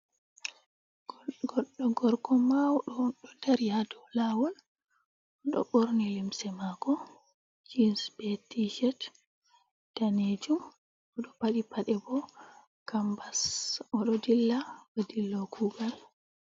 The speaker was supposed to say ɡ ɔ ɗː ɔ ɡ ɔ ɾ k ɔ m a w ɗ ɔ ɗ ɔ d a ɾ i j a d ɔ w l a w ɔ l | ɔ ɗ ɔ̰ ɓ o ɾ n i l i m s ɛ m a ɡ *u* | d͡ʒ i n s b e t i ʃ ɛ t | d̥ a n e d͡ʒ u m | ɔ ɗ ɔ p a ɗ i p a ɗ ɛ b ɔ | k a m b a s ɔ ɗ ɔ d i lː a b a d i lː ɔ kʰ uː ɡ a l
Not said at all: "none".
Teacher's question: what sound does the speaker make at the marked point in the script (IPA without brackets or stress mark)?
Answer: ɔ